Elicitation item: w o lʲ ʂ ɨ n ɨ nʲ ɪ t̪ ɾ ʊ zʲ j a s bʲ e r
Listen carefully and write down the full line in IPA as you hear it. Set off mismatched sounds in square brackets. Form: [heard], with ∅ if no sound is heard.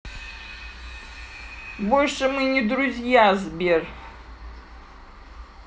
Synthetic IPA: [b] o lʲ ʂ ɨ [m] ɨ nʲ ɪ [d̪] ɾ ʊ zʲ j a [z] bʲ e r